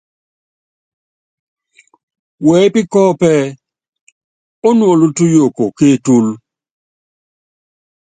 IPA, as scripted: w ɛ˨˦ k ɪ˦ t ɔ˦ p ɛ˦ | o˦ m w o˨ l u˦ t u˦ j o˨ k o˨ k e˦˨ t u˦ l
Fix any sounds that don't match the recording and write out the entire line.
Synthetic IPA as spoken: w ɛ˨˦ p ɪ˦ k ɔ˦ p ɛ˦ | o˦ n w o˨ l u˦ t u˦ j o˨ k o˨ k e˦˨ t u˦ l